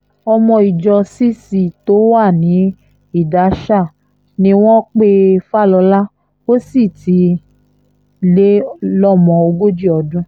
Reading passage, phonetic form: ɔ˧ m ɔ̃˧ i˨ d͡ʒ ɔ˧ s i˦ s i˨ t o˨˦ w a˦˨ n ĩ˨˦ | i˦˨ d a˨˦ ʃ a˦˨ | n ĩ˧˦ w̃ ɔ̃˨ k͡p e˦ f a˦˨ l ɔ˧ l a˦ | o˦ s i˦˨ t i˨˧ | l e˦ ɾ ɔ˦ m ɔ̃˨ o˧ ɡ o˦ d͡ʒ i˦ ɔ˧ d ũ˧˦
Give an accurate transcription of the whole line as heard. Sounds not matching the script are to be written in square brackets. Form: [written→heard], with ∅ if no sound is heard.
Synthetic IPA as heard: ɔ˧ m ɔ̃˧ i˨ d͡ʒ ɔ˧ s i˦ s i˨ t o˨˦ w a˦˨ n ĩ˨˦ | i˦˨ d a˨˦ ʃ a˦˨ | n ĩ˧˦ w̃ [ɔ̃˨→ɔ̃˦] k͡p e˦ f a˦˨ l ɔ˧ l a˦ | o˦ s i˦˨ t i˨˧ | l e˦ [ɾ→l] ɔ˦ m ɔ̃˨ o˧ ɡ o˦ d͡ʒ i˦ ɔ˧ d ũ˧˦